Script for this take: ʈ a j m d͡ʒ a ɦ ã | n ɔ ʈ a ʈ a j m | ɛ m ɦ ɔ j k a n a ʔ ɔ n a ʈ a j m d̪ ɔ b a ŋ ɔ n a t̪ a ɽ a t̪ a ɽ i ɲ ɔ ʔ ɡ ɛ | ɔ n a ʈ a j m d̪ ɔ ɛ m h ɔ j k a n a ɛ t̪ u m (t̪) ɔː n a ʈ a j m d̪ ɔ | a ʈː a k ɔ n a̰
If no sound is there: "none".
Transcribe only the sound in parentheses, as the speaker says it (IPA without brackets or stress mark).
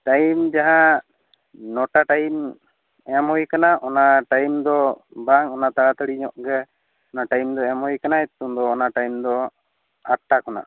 d̪